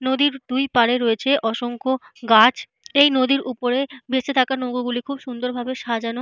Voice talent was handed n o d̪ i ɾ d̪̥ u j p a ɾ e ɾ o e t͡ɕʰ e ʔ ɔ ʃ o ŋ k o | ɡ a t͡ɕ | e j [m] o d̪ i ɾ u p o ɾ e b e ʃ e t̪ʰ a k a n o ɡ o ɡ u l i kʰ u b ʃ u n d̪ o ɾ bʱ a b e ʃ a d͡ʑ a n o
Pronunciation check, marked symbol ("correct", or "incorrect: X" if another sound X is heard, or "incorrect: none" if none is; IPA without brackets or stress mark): incorrect: n